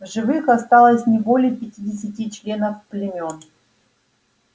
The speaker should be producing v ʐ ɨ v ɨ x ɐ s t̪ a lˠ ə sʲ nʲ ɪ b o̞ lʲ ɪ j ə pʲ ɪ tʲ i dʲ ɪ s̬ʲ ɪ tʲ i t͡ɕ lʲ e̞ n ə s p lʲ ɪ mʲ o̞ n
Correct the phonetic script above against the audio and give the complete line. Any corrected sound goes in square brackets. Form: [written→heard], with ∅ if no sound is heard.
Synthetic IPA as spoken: v ʐ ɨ v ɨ x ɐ s t̪ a lˠ ə sʲ nʲ ɪ b o̞ lʲ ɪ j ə pʲ ɪ tʲ i dʲ ɪ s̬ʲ ɪ tʲ i t͡ɕ lʲ e̞ n ə [s→f] p lʲ ɪ mʲ o̞ n